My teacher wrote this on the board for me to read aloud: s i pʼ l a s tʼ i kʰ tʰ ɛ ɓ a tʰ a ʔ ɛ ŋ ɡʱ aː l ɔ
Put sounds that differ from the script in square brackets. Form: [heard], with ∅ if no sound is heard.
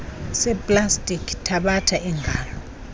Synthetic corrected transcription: s [ɛ] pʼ l a s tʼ i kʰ tʰ [a] ɓ a tʰ a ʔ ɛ ŋ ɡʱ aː l ɔ

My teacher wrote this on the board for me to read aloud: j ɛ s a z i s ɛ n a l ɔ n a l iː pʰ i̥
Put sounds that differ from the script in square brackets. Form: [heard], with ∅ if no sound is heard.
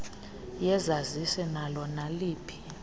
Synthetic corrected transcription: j ɛ [z] a z i s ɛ n a l ɔ n a l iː pʰ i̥

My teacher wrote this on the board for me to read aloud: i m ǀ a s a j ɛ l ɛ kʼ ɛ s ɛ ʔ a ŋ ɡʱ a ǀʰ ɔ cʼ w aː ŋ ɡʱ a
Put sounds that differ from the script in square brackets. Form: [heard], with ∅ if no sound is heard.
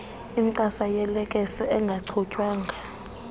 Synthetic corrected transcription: i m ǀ a s a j ɛ l ɛ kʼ ɛ s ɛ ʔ [ɛ] ŋ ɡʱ a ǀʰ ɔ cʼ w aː ŋ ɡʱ a

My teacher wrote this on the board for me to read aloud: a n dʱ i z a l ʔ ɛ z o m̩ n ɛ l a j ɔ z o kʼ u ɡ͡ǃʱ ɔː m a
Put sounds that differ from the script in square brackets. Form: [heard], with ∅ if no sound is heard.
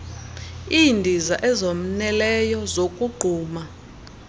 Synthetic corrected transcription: [i] n dʱ i z a [∅] ʔ ɛ z o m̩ n ɛ l [ɛ] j ɔ z o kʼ u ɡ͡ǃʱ [uː] m a

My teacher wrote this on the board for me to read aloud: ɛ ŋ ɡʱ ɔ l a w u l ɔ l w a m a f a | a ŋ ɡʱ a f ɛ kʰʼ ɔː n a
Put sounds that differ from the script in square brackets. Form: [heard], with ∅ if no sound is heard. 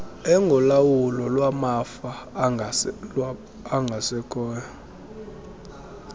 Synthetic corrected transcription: ɛ ŋ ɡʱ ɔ l a w u l ɔ l w a m a f a | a ŋ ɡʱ a [s] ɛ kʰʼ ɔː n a

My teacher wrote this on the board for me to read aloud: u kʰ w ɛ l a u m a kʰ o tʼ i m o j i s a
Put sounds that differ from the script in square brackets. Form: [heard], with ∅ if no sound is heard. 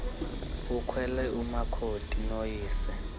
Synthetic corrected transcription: u kʰ w ɛ l [ɛ] u m a kʰ o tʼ i [n] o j [iː] s [ɛ]

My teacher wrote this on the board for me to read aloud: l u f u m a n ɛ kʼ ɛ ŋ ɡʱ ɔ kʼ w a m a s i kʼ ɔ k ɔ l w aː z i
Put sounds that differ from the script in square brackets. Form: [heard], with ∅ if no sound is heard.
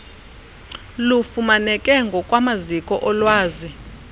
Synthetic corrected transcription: l u f u m a n ɛ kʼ ɛ ŋ ɡʱ ɔ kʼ w a m a [z] i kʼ ɔ [ʔ] ɔ l w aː z i

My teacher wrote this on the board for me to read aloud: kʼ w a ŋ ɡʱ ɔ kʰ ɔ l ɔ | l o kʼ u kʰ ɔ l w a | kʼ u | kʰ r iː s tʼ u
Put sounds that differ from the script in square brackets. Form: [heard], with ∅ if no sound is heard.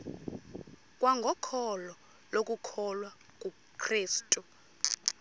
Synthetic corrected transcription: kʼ w a ŋ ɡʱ ɔ kʰ ɔ l ɔ | l o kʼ u kʰ ɔ l w a | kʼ u | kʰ r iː s tʼ u

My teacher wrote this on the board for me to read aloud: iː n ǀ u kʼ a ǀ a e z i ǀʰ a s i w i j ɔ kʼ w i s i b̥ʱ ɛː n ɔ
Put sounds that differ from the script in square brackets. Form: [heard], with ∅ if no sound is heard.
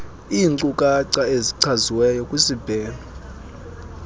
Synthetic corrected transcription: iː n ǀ u kʼ a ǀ a e z i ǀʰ a [z] i w [ɛ] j ɔ kʼ w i s i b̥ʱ ɛː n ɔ

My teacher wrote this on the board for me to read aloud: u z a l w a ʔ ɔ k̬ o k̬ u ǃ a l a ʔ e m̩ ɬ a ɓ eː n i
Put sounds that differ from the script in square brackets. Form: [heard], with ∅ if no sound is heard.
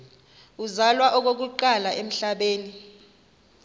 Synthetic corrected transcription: u z a l w a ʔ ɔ k̬ o k̬ u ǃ a l a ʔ e m̩ ɬ a ɓ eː n i

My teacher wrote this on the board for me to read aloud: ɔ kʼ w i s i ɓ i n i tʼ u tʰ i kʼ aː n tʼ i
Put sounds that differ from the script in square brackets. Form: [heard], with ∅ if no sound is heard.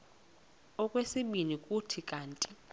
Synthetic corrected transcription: ɔ kʼ w [e] s i ɓ i n i [kʼ] u tʰ i kʼ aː n tʼ i

